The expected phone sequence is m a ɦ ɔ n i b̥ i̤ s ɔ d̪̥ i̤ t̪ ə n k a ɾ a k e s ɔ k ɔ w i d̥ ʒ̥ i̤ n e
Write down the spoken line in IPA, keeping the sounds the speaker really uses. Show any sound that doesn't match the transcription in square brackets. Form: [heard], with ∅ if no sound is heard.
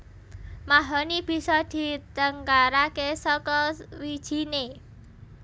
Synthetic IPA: m a ɦ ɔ n i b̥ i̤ s ɔ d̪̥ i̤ t̪ ə [ŋ] k a ɾ a k e s ɔ k ɔ w i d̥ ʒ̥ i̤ n e